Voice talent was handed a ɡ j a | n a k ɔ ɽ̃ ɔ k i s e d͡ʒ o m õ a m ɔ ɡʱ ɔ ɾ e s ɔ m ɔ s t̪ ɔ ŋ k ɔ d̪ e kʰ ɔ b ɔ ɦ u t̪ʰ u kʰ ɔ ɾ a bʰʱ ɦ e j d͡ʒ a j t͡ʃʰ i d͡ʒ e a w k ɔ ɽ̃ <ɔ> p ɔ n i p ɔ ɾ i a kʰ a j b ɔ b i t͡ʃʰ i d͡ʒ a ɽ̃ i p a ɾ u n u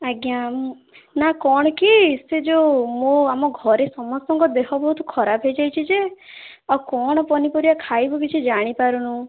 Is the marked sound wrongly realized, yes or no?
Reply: no